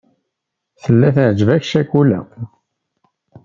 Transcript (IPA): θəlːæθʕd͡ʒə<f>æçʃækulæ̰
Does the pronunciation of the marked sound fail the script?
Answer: yes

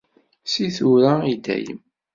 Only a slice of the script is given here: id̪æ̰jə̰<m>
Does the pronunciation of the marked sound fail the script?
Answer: no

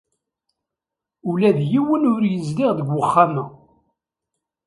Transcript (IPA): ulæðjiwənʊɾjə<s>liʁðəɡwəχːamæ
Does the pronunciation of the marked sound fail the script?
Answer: yes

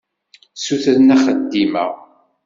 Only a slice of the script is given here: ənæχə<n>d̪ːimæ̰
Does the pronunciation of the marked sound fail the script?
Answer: yes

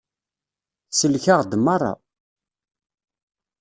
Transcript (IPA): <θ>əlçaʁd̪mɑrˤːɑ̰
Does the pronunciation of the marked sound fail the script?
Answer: yes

